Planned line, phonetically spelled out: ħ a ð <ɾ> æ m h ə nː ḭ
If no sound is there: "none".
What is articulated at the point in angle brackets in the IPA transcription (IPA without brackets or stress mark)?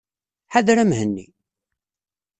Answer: ɾ